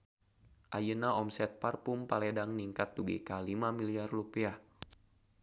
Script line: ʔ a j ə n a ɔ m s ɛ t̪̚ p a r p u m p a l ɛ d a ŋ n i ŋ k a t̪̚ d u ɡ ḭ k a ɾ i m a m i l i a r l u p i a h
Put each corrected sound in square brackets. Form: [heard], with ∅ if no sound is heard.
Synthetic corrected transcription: ʔ a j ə n a ɔ m s ɛ t̪̚ p a r p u m p a l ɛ d a ŋ n i ŋ k a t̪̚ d u ɡ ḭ k a [l] i m a m i l i a r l u p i a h

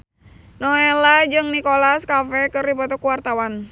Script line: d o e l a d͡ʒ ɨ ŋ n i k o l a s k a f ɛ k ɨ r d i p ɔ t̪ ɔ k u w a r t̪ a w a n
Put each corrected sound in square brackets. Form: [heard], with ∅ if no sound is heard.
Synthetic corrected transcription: [n] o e l a d͡ʒ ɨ ŋ n i k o l a s k a f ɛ k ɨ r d i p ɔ t̪ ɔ k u w a r t̪ a w a n

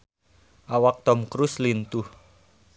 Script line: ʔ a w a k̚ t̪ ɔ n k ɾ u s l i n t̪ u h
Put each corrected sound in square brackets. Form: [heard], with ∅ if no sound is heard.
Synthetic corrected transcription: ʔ a w a k̚ t̪ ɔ [m] k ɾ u s l i n t̪ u h

